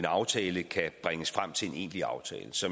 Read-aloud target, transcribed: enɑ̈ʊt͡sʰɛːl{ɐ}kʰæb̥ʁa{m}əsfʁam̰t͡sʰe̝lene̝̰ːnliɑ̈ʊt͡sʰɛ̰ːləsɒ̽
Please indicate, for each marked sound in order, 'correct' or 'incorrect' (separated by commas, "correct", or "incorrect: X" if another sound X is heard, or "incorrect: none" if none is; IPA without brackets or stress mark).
incorrect: ə, incorrect: ŋ